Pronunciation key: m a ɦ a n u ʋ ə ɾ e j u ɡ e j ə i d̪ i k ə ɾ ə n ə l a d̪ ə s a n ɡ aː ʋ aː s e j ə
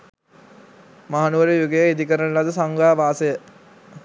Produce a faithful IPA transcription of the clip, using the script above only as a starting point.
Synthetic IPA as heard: m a ɦ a n u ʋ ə ɾ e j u ɡ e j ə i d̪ i k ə ɾ ə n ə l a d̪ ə s a ŋ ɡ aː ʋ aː s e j ə